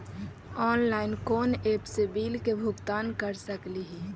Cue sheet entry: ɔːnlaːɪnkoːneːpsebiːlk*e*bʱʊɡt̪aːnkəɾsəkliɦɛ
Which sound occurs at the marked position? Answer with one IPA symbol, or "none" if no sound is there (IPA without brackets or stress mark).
e